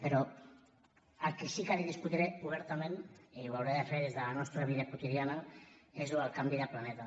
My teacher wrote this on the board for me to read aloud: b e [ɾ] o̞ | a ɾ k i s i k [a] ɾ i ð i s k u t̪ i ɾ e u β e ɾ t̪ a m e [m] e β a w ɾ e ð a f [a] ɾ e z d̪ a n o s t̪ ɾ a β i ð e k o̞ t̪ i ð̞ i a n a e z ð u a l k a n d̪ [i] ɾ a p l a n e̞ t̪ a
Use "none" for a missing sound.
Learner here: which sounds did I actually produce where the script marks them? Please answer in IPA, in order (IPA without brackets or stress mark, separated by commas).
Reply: ɾ, a, n, e, i